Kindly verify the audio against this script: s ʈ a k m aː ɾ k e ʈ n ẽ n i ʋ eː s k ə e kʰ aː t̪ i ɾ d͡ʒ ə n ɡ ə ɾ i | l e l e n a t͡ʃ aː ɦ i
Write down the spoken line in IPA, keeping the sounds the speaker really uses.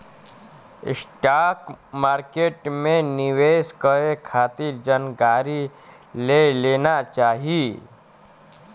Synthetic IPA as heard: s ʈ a k m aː ɾ k e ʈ m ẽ n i ʋ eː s k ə e kʰ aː t̪ i ɾ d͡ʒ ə n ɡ a ɾ i | l e l e n a t͡ʃ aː ɦ i